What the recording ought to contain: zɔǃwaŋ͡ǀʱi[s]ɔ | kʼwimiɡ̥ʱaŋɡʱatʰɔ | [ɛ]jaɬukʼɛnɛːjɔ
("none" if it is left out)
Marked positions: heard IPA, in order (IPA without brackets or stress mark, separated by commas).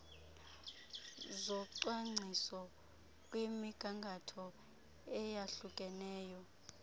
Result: s, ɛ